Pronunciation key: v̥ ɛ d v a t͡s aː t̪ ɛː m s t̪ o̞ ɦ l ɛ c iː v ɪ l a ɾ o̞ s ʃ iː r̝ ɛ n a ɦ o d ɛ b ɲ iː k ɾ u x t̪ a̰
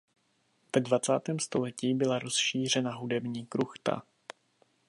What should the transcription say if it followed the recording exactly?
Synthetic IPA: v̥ ɛ d v a t͡s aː t̪ ɛː m s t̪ o̞ l ɛ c iː b ɪ l a ɾ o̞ s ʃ iː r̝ ɛ n a ɦ u d ɛ b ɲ iː k ɾ u x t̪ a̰